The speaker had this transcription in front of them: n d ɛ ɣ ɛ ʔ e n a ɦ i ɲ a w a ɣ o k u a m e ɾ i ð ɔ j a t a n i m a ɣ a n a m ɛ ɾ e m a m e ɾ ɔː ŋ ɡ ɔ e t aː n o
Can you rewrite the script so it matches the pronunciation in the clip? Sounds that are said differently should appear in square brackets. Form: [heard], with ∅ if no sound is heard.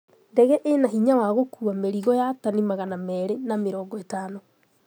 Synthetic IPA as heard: n d ɛ ɣ ɛ ʔ e n a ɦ i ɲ a w a ɣ o k u a m e ɾ i [ɣ] ɔ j a t a n i m a ɣ a n a m ɛ ɾ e [n] a m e ɾ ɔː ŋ ɡ ɔ e t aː n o